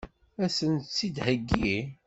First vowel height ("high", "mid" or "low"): low